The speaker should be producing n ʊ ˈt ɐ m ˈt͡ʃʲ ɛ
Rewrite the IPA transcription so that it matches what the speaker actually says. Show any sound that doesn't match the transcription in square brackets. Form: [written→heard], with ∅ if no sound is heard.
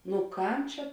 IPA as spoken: n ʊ [ˈt→ˈk] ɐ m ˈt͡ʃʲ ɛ